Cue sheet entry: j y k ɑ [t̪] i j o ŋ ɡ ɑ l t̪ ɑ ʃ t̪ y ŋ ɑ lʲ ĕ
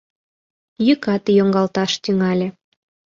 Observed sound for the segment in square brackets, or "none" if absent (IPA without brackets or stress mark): t̪